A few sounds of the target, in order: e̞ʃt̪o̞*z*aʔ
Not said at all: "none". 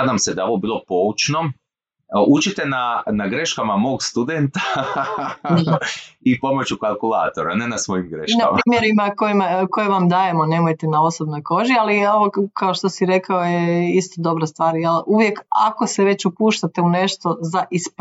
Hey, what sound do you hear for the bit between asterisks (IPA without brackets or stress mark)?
z